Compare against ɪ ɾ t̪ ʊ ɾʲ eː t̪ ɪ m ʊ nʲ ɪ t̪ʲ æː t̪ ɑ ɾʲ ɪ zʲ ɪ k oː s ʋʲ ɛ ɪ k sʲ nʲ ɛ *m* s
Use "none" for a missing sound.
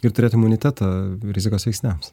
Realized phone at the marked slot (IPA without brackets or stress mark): m